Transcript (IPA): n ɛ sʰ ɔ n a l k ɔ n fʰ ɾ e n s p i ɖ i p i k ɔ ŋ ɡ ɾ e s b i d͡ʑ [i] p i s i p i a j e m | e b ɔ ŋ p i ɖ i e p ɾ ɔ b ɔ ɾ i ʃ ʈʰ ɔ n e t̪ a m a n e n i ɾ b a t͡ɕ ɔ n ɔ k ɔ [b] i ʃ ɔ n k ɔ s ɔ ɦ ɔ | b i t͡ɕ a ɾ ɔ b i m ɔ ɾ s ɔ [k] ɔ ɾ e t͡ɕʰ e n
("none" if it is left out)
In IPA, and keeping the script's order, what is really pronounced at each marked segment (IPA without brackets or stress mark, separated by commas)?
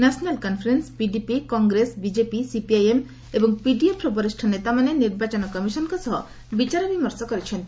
e, m, k